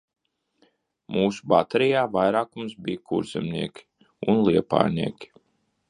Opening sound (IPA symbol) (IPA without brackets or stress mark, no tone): m